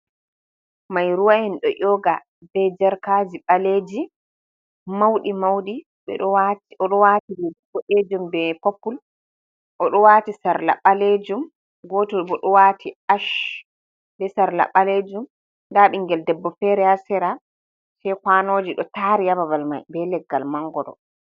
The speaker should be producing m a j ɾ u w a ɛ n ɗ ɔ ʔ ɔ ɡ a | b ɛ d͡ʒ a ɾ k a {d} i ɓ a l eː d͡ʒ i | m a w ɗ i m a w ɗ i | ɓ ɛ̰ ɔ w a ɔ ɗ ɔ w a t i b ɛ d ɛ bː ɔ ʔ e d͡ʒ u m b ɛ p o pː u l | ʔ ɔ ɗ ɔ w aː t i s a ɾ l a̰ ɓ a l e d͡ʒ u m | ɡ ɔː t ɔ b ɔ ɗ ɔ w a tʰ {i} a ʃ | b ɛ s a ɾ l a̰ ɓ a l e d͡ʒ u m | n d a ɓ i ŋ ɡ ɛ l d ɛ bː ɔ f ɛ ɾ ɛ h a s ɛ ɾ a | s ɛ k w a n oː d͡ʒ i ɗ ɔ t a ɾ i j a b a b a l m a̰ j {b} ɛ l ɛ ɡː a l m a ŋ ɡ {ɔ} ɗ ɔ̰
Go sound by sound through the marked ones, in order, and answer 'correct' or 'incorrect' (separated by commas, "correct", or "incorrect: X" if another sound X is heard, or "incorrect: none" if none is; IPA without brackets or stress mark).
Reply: incorrect: d͡ʒ, correct, correct, correct